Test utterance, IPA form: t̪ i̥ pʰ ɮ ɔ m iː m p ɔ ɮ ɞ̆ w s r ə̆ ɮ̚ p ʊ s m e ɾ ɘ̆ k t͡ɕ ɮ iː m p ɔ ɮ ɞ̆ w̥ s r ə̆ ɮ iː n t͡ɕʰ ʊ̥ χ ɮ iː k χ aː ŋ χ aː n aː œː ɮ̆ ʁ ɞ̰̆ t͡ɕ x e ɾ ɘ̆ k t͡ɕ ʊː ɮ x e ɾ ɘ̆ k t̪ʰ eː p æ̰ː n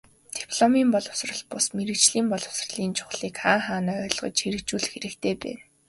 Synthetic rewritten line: t̪ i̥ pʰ ɮ ɔ m iː m p ɔ ɮ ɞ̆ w s r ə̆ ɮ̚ p ʊ s m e ɾ ɘ̆ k t͡ɕ ɮ iː m p ɔ ɮ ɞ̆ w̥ s r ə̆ ɮ iː n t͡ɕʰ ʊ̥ χ ɮ iː k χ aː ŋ χ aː n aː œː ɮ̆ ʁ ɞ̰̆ t͡ɕ x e ɾ ɘ̆ k t͡ɕ uː ɮ x e ɾ ɘ̆ k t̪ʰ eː p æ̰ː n